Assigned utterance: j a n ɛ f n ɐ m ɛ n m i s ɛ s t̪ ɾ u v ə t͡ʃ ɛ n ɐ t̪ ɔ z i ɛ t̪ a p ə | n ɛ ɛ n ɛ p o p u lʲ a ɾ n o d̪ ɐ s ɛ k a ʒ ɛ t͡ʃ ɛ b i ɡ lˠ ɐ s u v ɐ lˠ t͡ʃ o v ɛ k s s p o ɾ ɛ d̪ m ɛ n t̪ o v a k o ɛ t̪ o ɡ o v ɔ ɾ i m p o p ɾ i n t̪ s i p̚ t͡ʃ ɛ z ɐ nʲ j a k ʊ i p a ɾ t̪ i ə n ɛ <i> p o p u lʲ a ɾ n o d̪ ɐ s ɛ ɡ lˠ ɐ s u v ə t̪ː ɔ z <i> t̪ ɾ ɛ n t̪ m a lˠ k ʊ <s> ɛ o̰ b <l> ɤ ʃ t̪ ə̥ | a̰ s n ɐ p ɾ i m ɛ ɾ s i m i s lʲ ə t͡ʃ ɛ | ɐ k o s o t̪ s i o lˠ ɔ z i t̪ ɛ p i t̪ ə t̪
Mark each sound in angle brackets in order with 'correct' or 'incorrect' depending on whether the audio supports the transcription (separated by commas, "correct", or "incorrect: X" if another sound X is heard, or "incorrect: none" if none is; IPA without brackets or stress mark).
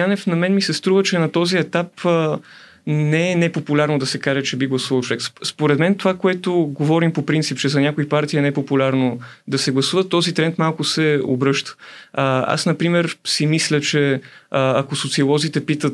incorrect: ɛ, correct, correct, incorrect: ɾ